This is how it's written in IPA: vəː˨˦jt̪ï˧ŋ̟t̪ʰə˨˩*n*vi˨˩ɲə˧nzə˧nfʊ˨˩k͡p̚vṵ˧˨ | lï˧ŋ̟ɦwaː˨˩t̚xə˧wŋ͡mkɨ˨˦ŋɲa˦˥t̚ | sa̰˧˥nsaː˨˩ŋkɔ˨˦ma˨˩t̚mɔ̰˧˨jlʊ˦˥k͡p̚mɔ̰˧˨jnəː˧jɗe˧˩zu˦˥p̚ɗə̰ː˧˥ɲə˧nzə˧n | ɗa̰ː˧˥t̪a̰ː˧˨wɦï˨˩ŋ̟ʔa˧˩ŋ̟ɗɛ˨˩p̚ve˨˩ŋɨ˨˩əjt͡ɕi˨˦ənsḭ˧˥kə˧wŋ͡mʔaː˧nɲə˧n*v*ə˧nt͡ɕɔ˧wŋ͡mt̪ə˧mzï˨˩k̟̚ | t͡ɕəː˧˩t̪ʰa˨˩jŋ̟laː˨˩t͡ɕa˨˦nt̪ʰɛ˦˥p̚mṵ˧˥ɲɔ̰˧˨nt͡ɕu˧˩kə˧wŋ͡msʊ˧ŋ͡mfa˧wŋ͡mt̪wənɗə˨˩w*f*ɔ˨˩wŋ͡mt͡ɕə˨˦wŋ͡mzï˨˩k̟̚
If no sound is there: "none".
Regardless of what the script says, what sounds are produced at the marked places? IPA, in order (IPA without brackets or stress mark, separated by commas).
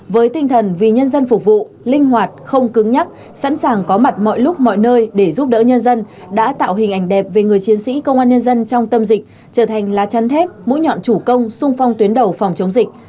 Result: n, z, f